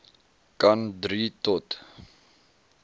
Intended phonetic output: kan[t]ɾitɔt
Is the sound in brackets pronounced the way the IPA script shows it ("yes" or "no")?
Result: no